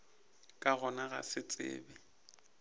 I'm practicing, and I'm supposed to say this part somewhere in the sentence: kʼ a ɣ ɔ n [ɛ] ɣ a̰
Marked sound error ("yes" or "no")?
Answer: yes